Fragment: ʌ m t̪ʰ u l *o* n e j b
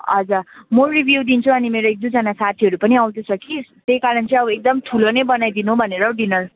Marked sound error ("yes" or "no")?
no